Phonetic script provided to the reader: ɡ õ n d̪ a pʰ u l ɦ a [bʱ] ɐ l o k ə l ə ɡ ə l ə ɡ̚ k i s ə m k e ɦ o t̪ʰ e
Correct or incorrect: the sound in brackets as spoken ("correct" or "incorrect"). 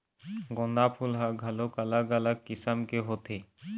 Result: incorrect